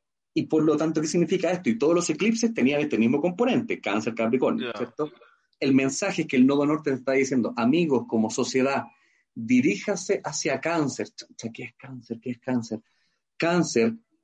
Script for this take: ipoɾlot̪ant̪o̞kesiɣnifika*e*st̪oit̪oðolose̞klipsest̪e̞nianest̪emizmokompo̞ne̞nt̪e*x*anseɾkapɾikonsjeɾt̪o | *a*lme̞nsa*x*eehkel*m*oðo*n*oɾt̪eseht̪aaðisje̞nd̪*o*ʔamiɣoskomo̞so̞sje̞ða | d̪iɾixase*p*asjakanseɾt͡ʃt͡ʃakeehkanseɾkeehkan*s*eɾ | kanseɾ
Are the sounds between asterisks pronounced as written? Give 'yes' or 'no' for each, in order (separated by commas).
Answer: yes, no, no, yes, no, yes, yes, no, yes